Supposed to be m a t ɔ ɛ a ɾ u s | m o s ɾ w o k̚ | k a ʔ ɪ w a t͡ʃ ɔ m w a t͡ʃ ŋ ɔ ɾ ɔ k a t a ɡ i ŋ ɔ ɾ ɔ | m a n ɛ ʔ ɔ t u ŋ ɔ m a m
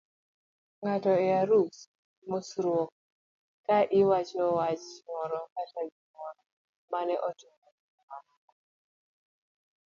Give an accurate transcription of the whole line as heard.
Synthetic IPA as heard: ŋ a t ɔ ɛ a ɾ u s | m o s ɾ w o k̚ | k a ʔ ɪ w a t͡ʃ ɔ w a t͡ʃ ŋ ɔ ɾ ɔ k a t a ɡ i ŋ ɔ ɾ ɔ | m a n ɛ ʔ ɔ t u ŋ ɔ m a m